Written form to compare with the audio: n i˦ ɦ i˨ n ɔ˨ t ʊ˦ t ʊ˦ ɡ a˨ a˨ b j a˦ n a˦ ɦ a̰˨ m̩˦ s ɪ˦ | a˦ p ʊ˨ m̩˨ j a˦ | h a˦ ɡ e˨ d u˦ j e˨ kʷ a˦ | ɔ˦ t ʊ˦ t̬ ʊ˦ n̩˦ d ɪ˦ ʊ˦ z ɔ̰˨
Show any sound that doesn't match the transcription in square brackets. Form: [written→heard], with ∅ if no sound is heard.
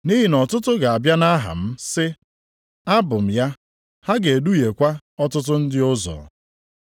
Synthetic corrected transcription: n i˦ ɦ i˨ n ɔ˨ t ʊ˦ t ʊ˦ ɡ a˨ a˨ b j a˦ n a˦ ɦ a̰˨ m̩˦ s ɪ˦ | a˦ [p→b] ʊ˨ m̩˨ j a˦ | h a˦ ɡ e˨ d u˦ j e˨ kʷ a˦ | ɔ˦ t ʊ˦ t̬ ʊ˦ n̩˦ d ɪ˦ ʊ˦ z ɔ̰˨

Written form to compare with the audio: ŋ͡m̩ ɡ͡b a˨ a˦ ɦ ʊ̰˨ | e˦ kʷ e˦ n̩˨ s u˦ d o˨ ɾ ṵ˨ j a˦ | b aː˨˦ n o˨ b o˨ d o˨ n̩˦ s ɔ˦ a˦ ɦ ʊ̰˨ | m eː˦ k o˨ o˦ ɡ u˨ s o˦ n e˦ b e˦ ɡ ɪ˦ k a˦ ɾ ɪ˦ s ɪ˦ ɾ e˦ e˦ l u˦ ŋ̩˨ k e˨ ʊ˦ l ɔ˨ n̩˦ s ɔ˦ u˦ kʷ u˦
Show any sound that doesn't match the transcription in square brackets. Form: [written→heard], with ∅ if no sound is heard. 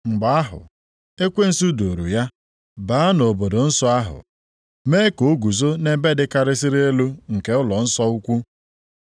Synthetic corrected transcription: ŋ͡m̩ ɡ͡b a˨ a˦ ɦ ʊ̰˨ | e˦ kʷ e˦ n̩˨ s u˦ d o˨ ɾ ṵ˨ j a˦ | b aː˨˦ n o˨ b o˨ d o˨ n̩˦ s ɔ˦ a˦ ɦ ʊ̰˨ | m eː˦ k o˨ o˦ ɡ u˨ [s→z] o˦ n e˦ b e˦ [ɡ→d] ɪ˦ k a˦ ɾ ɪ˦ s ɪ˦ ɾ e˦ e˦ l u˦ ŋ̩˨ k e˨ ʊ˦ l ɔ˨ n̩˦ s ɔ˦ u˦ kʷ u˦

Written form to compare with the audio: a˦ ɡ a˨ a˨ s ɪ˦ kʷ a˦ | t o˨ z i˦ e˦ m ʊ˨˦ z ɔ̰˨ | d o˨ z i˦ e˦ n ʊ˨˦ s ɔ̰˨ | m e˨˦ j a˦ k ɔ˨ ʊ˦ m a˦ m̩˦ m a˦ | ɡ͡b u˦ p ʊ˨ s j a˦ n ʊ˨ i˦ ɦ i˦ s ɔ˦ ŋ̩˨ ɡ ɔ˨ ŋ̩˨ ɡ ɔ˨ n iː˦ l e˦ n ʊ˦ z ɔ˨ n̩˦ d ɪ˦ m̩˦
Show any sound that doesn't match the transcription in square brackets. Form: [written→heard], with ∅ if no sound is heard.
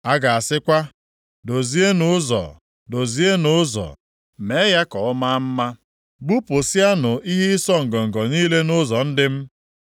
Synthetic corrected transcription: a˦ ɡ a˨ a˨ s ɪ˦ kʷ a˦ | [t→d] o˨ z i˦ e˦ [m→n] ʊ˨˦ z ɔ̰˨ | d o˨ z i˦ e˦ n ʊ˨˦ [s→z] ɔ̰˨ | m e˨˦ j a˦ k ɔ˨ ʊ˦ m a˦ m̩˦ m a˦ | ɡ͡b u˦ p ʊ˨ s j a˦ n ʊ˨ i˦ ɦ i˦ s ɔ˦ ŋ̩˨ ɡ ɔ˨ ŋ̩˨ ɡ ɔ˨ n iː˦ l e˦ n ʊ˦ z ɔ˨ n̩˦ d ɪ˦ m̩˦

